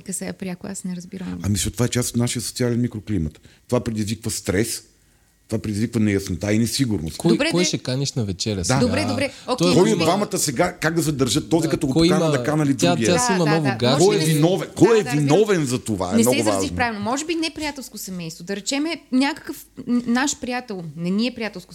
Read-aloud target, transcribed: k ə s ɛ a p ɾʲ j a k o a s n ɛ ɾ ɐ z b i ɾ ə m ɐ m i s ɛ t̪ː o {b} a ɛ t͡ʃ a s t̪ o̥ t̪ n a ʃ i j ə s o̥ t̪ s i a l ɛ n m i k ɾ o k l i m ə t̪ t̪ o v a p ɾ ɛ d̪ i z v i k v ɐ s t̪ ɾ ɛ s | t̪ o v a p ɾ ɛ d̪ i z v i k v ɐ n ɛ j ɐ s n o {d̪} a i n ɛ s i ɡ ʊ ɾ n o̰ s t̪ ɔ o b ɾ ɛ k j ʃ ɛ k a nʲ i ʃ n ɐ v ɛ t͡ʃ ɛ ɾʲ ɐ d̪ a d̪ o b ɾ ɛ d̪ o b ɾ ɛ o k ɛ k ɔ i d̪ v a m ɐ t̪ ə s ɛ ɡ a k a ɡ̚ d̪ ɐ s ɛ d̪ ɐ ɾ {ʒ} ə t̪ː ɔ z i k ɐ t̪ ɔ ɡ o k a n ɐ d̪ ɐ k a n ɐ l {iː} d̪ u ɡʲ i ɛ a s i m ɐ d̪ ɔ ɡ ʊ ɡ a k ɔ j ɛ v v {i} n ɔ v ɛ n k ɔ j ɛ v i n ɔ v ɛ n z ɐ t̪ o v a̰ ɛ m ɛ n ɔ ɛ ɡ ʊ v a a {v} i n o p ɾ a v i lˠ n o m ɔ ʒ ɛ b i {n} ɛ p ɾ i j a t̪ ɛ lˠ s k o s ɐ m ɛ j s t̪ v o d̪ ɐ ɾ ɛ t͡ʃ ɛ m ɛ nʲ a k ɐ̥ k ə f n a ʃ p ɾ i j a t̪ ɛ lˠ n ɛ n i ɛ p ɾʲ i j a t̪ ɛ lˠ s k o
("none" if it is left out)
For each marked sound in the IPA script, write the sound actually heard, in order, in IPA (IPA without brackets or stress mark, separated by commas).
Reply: v, t̪, ʒ, i, i, ʒ, n